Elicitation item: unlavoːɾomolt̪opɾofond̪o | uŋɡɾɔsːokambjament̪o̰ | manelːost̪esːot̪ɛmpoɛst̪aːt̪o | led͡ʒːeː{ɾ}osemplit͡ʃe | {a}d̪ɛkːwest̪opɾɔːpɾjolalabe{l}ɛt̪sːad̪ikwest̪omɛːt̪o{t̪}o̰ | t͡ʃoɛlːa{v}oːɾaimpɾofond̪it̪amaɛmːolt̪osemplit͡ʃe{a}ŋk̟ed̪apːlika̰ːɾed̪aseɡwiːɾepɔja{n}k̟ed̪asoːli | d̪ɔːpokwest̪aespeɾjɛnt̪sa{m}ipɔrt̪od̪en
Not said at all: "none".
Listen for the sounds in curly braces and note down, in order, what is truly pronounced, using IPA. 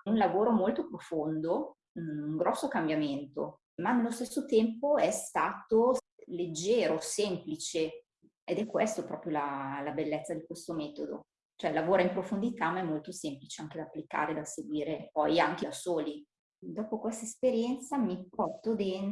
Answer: ɾ, e, lː, d̪, v, a, ŋ, m

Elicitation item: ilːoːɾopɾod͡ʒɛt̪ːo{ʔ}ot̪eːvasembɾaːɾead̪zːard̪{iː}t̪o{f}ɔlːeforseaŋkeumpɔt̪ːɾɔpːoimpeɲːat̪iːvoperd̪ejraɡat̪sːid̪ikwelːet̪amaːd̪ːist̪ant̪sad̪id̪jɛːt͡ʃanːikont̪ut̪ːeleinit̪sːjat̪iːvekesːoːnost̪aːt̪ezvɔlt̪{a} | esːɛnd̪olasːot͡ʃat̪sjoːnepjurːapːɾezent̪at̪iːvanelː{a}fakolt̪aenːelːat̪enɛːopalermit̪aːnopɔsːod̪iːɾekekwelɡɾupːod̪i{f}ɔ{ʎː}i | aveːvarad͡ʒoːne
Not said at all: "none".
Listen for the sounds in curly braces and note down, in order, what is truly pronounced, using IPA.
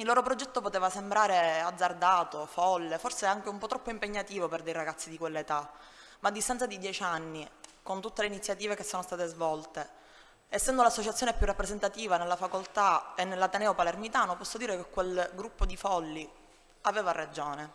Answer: p, aː, f, e, a, f, lː

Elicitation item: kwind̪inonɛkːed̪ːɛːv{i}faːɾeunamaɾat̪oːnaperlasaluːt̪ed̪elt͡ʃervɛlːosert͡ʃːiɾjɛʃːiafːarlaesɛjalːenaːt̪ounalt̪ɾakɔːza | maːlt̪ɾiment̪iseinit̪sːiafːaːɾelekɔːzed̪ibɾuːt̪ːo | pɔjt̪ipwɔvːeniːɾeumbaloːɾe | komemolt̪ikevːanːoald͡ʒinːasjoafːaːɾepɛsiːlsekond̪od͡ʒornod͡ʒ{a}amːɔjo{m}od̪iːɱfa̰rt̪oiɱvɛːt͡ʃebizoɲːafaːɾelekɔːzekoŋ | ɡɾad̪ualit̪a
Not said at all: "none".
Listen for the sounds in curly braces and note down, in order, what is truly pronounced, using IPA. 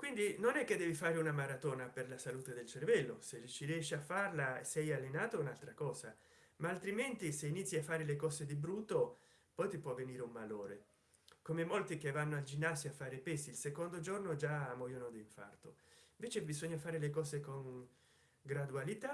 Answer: i, a, n

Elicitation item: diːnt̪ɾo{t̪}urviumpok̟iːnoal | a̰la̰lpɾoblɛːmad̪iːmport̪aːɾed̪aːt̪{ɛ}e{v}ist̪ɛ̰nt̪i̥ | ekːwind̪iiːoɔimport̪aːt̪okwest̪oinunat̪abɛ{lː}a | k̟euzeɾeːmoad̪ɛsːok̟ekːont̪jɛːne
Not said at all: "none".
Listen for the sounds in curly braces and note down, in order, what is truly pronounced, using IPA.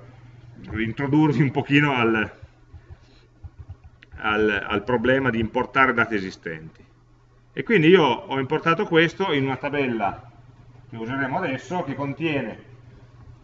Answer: d̪, i, z, lː

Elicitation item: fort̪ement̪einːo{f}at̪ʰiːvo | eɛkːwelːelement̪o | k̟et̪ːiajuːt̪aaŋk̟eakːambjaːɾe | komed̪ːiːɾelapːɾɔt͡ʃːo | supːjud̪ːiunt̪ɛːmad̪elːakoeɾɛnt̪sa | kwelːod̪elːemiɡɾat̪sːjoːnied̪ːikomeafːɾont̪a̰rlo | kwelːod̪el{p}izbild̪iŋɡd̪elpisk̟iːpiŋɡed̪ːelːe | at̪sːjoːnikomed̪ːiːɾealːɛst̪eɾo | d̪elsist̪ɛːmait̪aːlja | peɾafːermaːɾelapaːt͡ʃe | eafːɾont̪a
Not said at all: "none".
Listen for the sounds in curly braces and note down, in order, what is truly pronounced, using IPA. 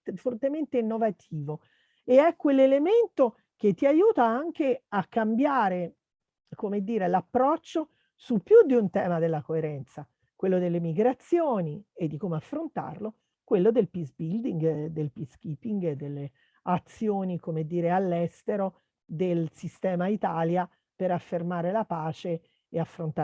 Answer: v, p

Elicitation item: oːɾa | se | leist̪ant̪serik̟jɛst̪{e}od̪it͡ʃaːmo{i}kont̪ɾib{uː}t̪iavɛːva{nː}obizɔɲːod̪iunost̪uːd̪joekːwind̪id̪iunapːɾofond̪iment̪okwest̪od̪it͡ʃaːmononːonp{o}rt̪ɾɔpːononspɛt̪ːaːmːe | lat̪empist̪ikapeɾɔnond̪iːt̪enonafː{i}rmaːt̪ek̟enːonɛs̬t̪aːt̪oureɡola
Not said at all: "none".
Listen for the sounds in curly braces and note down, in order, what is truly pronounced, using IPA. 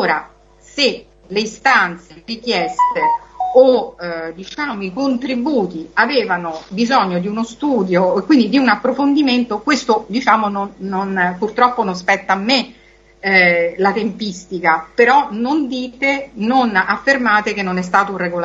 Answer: e, i, uː, n, u, e

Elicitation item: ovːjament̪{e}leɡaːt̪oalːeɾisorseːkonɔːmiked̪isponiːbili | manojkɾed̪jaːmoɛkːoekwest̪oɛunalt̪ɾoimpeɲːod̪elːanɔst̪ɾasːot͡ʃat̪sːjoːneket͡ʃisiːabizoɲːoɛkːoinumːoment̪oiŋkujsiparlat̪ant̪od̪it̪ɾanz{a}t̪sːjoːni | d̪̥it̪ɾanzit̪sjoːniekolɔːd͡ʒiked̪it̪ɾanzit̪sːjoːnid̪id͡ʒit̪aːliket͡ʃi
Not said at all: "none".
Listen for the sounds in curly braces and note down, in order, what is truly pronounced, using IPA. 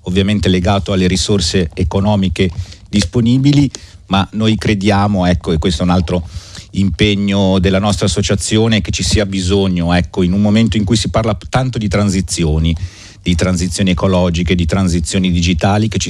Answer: e, i

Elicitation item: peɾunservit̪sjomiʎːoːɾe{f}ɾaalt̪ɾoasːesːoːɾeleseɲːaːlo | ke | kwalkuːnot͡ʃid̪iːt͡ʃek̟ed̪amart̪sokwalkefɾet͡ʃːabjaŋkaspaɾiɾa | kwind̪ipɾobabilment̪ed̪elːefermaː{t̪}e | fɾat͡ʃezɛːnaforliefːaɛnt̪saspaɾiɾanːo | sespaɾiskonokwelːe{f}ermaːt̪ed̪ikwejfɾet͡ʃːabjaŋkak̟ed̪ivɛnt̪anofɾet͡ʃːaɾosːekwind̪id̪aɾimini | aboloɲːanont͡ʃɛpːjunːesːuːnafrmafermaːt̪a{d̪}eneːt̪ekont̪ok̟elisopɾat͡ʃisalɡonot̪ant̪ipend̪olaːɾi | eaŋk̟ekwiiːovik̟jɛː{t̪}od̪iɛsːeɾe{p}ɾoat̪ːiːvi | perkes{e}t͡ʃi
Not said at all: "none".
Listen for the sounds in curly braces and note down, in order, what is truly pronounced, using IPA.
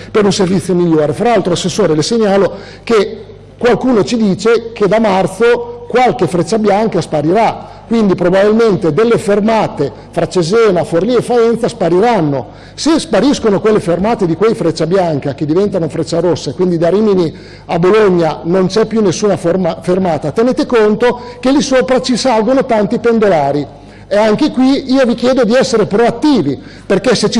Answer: f, t̪, f, t̪, d̪, p, e

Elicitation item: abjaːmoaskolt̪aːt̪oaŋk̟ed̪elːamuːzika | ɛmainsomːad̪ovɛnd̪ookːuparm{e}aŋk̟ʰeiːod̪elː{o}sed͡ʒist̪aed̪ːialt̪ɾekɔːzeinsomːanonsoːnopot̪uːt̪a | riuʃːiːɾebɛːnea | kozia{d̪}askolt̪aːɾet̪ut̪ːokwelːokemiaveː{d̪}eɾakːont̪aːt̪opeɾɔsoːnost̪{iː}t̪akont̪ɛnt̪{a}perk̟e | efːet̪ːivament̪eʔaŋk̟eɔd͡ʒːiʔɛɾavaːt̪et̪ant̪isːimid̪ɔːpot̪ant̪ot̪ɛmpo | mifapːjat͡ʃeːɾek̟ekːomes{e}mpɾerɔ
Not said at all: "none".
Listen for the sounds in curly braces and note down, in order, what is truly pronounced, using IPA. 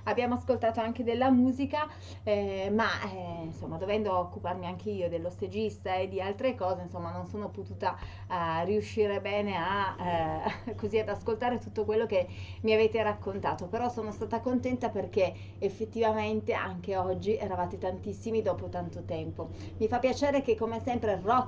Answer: i, o, d̪, t̪, aː, a, ɛ

